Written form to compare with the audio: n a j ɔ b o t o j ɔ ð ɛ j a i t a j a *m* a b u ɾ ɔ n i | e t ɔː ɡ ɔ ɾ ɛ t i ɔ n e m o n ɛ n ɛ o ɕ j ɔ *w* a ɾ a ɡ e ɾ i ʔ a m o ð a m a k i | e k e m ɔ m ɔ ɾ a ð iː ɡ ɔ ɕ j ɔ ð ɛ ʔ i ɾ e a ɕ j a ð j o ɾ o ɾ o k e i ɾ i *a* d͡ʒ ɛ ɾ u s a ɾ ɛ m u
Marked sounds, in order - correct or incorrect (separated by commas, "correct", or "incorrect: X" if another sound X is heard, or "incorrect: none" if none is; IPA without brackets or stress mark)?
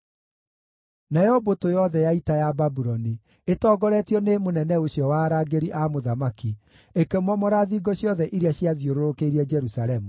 incorrect: b, correct, incorrect: ɛ